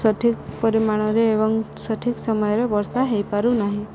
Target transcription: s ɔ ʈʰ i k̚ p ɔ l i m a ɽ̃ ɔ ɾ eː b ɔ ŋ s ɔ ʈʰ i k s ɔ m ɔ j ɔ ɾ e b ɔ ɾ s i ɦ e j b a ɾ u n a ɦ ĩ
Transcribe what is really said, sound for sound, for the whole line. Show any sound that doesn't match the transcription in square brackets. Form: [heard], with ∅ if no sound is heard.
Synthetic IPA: s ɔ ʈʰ i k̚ p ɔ [ɾ] i m a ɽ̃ ɔ ɾ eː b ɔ ŋ s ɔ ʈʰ i k s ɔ m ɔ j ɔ ɾ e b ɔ ɾ s [a] ɦ e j [p] a ɾ u n a ɦ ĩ